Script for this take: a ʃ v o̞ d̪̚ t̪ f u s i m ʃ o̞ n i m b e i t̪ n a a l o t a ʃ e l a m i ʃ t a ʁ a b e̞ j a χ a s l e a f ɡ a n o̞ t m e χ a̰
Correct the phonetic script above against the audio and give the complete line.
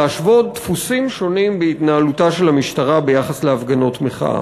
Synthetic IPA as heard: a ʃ v o̞ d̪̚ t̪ f u s i m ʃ o̞ n i m b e i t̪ n a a l u t a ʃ e l a m i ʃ t a ʁ a b e̞ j a χ a s l e a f ɡ a n o̞ t m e χ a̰